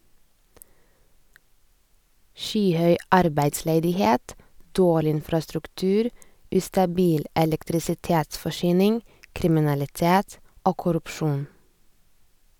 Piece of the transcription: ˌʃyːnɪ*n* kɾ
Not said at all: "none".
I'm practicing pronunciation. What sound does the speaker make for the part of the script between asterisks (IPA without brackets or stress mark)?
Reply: ŋ